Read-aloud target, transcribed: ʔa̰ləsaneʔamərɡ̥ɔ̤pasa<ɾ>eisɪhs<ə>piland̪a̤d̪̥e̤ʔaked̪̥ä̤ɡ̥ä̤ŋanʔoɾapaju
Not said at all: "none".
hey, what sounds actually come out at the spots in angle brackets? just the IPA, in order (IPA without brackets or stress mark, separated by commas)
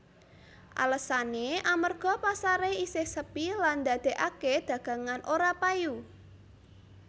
ɾ, ə